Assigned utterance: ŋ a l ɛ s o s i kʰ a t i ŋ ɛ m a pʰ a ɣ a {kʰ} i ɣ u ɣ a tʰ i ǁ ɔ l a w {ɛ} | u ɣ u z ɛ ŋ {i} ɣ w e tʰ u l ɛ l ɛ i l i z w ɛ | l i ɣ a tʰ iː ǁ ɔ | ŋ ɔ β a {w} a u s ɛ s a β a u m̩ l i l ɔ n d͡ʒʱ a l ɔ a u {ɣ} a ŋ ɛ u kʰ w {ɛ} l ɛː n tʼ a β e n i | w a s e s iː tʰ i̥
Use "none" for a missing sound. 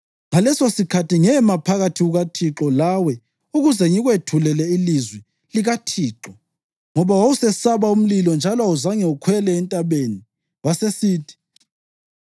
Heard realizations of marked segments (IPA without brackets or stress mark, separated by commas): tʰ, ɛ, i, w, z, ɛ